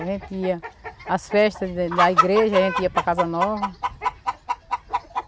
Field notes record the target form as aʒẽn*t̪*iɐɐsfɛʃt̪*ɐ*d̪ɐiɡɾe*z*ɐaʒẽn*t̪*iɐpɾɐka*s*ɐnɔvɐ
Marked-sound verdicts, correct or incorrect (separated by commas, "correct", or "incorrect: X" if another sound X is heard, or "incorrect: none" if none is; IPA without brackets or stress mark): correct, correct, incorrect: ʒ, correct, incorrect: z